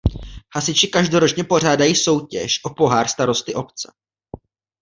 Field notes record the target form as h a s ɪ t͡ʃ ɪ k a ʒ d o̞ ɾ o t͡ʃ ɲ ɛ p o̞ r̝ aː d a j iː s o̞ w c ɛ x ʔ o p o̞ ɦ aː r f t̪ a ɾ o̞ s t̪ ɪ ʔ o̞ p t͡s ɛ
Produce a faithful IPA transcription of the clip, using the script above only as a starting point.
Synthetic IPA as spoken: h a s ɪ t͡ʃ ɪ k a ʒ d o̞ ɾ o t͡ʃ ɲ ɛ p o̞ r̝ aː d a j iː s o̞ w c ɛ ʃ ʔ o p o̞ ɦ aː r s t̪ a ɾ o̞ s t̪ ɪ ʔ o̞ p t͡s ɛ